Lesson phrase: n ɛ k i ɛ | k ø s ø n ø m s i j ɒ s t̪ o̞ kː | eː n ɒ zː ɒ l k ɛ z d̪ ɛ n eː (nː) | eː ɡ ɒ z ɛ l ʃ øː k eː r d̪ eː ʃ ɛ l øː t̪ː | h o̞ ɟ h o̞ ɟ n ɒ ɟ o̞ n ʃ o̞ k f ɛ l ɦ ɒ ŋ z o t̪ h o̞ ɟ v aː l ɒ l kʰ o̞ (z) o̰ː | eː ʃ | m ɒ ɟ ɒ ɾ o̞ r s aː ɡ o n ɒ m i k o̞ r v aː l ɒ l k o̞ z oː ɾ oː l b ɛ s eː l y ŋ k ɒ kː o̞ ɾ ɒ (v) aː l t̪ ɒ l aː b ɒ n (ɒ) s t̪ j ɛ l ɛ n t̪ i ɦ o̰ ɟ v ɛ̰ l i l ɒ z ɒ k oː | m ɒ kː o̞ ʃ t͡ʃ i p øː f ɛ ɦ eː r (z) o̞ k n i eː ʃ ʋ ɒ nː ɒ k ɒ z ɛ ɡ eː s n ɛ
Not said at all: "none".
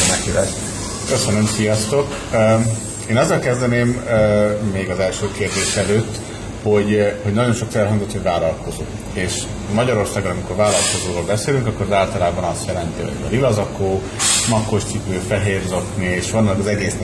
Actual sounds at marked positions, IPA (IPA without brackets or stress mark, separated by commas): mː, z, z, ɒ, z